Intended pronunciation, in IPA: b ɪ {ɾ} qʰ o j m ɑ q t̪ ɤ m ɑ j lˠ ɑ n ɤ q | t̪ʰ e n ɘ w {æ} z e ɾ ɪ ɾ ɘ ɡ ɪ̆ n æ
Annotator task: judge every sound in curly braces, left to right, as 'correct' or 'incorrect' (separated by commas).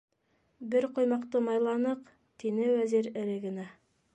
correct, correct